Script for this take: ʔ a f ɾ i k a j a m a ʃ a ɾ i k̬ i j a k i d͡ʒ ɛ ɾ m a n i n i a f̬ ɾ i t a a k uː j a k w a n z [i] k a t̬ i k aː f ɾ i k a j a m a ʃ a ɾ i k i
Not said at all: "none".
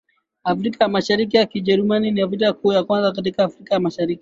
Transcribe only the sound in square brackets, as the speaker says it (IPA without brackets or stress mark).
a